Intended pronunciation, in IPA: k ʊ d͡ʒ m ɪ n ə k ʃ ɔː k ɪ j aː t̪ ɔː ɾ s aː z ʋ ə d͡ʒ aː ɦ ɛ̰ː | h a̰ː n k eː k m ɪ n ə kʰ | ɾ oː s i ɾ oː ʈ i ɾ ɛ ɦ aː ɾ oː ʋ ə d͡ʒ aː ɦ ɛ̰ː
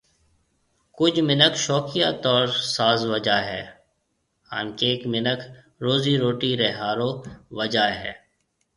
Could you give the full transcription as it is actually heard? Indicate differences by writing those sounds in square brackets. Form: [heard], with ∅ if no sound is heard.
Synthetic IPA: k ʊ d͡ʒ m ɪ n ə k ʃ ɔː k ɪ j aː t̪ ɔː ɾ s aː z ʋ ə d͡ʒ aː ɦ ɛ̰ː | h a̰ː n k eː k m ɪ n ə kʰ | ɾ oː [z] i ɾ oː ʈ i ɾ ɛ ɦ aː ɾ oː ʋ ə d͡ʒ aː ɦ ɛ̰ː